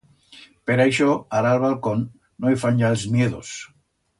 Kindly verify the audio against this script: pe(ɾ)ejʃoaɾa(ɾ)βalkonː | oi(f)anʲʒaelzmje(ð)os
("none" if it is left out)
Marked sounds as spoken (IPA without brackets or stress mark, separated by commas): ɾ, l, f, ð